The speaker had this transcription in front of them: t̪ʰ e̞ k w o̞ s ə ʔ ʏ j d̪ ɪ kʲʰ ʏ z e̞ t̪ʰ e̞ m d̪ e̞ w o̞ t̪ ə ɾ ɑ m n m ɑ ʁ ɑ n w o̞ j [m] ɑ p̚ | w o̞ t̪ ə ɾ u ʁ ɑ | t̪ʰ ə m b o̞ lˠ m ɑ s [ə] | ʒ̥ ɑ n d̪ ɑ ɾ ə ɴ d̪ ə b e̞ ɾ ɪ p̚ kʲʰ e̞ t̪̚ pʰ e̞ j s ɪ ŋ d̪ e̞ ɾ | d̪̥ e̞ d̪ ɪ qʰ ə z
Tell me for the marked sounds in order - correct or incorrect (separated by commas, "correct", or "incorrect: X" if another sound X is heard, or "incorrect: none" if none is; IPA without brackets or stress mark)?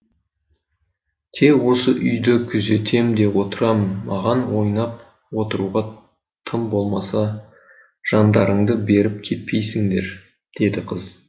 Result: incorrect: n, incorrect: ɑ